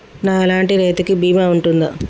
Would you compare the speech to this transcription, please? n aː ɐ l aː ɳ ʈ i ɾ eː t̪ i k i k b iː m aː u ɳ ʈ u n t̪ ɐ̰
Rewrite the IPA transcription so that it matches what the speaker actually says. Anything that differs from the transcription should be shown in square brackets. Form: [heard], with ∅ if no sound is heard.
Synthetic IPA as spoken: n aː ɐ l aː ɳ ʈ i ɾ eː t̪ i k i [∅] b iː m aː u ɳ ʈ u n [d̪] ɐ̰